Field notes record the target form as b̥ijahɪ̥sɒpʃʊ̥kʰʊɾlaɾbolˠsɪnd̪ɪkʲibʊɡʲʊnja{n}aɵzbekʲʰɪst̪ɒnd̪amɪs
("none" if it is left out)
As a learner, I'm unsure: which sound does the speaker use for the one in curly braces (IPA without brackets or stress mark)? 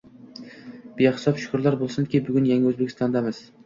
ŋ